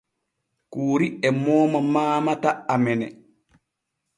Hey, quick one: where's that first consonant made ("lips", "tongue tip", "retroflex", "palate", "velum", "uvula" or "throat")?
velum